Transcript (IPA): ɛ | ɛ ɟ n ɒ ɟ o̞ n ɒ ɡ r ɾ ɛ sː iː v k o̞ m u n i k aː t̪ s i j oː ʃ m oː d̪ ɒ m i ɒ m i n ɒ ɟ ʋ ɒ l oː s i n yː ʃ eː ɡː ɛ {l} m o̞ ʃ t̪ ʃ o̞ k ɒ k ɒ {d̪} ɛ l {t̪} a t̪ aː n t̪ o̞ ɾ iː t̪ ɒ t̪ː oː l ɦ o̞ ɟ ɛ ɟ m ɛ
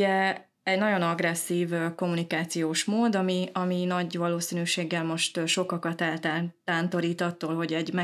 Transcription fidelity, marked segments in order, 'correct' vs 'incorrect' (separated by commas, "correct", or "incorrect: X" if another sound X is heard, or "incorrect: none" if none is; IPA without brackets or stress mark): correct, incorrect: t̪, correct